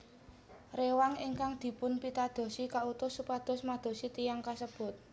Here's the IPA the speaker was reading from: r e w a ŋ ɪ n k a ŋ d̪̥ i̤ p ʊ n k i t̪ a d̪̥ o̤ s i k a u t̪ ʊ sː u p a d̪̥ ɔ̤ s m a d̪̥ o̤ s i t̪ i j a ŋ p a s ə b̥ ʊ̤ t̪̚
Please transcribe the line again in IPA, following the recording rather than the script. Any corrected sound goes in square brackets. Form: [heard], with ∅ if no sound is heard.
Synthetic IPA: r e w a ŋ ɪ [ŋ] k a ŋ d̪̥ i̤ p ʊ n [p] i t̪ a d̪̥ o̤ s i k a u t̪ ʊ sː u p a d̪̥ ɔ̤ s m a d̪̥ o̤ s i t̪ i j a ŋ [k] a s ə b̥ ʊ̤ t̪̚